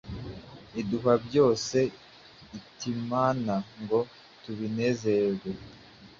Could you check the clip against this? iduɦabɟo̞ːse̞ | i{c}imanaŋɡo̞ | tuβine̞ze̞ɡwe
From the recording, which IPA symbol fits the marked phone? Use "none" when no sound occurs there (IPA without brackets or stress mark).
t